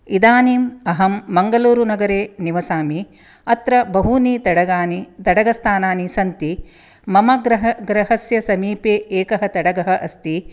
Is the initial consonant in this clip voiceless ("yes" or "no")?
no